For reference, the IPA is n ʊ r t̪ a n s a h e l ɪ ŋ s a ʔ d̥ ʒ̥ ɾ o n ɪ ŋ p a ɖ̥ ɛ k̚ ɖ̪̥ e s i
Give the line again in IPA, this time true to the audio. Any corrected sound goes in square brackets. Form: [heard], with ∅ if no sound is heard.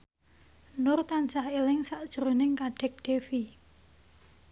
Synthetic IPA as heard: n ʊ r t̪ a n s a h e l ɪ ŋ s a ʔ d̥ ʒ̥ ɾ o n ɪ ŋ [k] a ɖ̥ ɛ k̚ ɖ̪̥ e [f] i